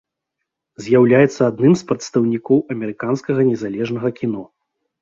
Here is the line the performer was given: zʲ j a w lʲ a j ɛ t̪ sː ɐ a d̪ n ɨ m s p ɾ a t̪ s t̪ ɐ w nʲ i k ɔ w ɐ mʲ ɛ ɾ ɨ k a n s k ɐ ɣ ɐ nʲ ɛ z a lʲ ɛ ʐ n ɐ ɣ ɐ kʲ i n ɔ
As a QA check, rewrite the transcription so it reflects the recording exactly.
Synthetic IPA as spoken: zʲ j a w lʲ a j ɛ t̪ sː ɐ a d̪ n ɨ m s p ɾ ɐ t̪ s t̪ ɐ w nʲ i k ɔ w ɐ mʲ ɛ ɾ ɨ k a n s k ɐ ɣ ɐ nʲ ɛ z a lʲ ɛ ʐ n ɐ ɣ ɐ kʲ i n ɔ

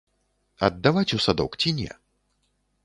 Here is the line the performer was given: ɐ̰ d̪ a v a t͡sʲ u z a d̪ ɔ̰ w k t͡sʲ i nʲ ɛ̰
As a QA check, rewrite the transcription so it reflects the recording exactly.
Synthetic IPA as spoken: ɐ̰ d̪ː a v a t͡sʲ u s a d̪ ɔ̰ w k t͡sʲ i nʲ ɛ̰

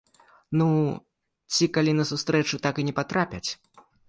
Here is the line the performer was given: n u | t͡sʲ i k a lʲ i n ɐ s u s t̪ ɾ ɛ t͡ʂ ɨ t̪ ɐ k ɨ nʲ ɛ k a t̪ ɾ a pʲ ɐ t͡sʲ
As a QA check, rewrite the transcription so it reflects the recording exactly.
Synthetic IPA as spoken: n u | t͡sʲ i k a lʲ i n ɐ s u s t̪ ɾ ɛ t͡ʂ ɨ t̪ a k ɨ nʲ ɛ p a t̪ ɾ a pʲ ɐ t͡sʲ

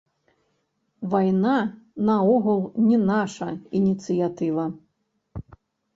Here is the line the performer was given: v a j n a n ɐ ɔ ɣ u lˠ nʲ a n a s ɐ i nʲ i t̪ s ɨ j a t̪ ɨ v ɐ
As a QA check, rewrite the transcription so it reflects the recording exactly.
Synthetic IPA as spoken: v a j n a n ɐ ɔ ɣ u lˠ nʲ ɛ n a ʂ ɐ i nʲ i t̪ s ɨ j a t̪ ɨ v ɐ

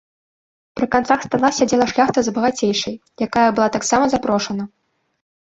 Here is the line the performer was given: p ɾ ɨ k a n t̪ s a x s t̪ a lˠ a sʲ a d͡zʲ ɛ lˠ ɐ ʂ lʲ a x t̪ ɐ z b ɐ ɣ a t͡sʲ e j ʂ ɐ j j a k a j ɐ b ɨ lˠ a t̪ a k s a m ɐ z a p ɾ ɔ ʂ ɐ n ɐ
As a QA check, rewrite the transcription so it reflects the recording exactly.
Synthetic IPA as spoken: p ɾ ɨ k a n t̪ s a x s t̪ a lˠ a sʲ a d͡zʲ ɛ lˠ ɐ ʂ lʲ a x t̪ ɐ z b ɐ ɣ a t͡sʲ e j ʂ ɐ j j a k a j ɐ b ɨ lˠ a t̪ a k s a m ɐ z a p ɾ ɔ ʂ ɐ n ɐ

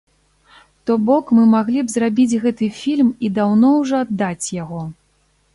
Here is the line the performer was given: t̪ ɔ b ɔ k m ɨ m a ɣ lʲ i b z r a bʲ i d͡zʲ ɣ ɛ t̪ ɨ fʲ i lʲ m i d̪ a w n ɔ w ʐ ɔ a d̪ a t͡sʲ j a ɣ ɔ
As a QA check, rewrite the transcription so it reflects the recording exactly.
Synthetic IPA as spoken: t̪ ɔ b ɔ k m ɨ m a ɣ lʲ i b z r a bʲ i d͡zʲ ɣ ɛ t̪ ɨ fʲ i lʲ m i d̪ a w n ɔ w ʐ ɔ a d̪ː a t͡sʲ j a ɣ ɔ

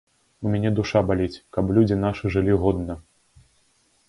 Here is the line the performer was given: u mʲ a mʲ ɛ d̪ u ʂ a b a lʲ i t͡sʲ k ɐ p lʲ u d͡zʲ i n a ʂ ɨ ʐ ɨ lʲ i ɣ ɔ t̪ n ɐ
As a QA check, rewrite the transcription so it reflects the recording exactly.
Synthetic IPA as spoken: u mʲ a nʲ ɛ d̪ u ʂ a b a lʲ i t͡sʲ k ɐ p lʲ u d͡zʲ i n a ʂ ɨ ʐ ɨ lʲ i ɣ ɔ d̪ n ɐ

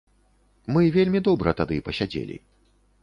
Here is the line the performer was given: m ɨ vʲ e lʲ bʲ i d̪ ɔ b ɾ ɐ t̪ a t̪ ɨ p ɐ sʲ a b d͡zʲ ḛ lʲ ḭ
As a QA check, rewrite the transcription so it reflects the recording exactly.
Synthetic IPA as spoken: m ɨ vʲ e lʲ mʲ i d̪ ɔ b ɾ ɐ t̪ a d̪ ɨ p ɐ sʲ a d͡zʲ ḛ lʲ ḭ

